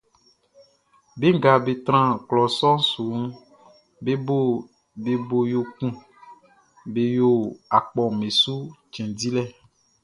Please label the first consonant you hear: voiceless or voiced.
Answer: voiced